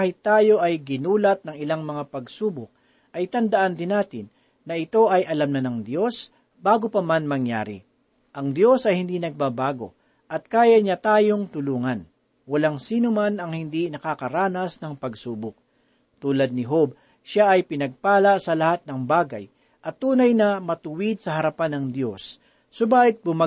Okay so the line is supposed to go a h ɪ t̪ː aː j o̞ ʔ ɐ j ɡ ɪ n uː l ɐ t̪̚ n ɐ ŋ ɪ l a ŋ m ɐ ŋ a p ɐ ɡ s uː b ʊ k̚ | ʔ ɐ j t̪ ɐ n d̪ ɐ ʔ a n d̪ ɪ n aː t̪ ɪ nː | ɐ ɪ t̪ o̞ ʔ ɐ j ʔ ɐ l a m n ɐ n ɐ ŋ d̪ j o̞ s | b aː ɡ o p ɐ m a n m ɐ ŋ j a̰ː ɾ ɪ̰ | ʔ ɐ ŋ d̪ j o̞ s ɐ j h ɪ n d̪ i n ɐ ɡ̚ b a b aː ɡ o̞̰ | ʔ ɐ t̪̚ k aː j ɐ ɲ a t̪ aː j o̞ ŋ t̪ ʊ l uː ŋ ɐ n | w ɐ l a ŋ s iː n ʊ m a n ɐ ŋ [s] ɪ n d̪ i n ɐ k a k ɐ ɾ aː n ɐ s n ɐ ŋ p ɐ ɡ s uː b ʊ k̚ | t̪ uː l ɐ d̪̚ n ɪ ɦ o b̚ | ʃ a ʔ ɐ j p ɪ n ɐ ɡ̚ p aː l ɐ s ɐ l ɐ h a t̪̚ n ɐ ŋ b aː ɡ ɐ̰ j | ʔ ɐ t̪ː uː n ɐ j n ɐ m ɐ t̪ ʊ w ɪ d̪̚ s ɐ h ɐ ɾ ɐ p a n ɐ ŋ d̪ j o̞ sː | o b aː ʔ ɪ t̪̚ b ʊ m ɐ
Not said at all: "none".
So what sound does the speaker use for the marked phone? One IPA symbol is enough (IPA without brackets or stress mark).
h